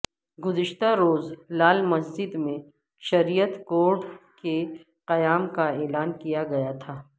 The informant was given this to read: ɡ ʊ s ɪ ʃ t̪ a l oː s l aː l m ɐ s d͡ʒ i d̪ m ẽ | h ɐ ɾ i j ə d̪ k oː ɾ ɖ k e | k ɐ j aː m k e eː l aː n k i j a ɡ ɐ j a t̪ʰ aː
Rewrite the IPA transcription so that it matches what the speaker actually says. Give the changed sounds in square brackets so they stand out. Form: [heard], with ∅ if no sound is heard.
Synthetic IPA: ɡ ʊ [z] ɪ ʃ t̪ a [ɾ] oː [z] l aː l m ɐ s d͡ʒ [ɪ] d̪ m ẽ | [ʃ] ɐ ɾ i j ə [t̪] k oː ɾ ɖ k e | [q] ɐ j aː m k [a] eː l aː n k i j a ɡ ɐ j a t̪ʰ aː